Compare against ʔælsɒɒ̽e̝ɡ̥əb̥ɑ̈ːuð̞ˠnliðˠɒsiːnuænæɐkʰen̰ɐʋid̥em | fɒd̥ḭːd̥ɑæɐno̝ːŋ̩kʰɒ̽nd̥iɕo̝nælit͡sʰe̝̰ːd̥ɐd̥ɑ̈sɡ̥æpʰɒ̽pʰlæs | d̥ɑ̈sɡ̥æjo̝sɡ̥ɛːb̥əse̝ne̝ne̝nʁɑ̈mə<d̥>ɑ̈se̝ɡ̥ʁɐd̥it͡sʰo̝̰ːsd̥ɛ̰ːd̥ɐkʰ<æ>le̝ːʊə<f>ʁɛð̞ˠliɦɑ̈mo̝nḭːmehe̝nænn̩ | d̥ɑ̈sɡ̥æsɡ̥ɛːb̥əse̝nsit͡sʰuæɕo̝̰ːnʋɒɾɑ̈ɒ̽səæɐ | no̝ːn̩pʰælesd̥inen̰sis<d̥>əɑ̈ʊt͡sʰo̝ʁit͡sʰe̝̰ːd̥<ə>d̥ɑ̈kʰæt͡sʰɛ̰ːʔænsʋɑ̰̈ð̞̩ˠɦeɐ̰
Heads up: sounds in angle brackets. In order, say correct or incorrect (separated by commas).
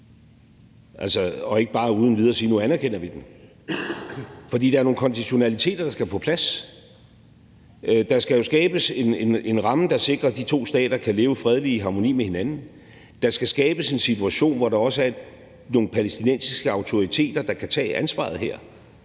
correct, correct, correct, incorrect, incorrect